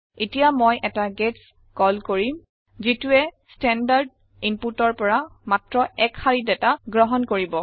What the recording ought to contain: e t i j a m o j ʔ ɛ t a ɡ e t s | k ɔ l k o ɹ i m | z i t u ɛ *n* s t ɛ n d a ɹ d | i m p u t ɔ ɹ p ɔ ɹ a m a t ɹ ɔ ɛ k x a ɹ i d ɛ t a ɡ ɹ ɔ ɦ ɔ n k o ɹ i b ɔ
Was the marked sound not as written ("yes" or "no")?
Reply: yes